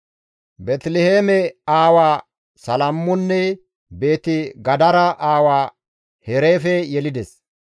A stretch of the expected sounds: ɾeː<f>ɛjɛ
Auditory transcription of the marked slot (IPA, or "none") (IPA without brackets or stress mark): f